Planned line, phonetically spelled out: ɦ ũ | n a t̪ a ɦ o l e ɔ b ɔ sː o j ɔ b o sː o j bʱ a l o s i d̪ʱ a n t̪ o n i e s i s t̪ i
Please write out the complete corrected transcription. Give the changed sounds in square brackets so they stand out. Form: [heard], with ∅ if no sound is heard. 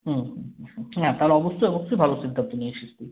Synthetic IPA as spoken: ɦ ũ | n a t̪ a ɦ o l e ɔ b [o] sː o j ɔ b o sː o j bʱ a l o s i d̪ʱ a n t̪ o n i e [ʃ] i s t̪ i